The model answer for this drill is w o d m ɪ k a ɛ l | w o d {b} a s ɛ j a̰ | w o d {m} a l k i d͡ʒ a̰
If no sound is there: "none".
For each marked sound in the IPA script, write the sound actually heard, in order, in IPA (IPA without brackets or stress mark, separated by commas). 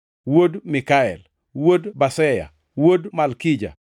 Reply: b, m